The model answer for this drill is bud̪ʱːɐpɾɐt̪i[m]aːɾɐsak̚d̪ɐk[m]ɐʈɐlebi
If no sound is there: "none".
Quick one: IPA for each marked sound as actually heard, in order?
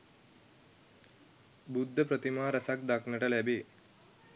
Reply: m, n

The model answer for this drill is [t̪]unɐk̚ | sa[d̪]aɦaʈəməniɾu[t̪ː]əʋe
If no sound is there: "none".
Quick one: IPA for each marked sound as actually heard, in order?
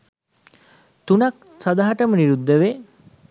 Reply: t̪, d̪, d̪ː

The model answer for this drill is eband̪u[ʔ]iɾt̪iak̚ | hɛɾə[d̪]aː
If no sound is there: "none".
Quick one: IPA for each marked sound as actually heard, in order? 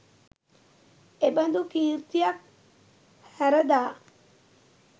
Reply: k, d̪

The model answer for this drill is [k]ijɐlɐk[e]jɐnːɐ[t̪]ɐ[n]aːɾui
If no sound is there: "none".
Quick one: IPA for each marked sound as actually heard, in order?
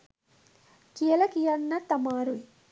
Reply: k, i, t̪, m

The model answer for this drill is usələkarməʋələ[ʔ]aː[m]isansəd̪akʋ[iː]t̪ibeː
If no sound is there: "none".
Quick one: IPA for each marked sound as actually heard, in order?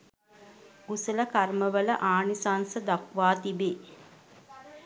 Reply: ʔ, n, aː

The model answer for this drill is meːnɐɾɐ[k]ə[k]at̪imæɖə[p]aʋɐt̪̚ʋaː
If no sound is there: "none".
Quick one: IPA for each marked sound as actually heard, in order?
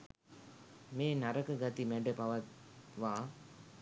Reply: k, ɡ, p

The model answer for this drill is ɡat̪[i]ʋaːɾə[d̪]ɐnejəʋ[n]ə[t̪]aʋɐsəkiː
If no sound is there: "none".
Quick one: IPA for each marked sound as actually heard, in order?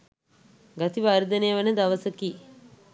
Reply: i, d̪, n, d̪

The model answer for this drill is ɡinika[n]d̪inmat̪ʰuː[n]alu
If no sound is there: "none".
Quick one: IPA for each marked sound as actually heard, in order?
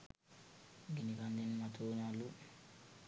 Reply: n, n

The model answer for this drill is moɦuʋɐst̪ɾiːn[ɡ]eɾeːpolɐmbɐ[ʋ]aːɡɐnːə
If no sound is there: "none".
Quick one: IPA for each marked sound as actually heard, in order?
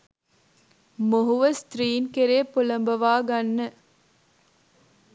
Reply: k, ʋ

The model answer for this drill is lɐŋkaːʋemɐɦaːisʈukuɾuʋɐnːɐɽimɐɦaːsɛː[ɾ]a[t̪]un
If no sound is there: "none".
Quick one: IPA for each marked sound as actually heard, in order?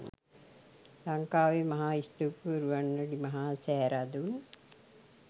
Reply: ɾ, d̪

